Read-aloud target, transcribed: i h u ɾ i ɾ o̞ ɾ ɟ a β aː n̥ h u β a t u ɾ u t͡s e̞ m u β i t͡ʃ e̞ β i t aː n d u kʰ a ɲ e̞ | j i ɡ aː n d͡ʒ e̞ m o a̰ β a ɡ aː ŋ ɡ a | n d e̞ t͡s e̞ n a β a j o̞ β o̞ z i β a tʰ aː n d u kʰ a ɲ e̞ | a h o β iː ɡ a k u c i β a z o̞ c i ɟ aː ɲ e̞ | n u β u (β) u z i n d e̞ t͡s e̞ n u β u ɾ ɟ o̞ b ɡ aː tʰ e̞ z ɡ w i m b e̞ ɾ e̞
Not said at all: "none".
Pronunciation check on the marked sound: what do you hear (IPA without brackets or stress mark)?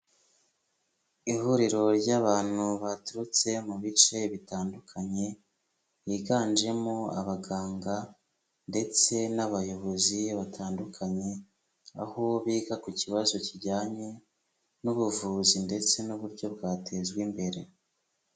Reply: v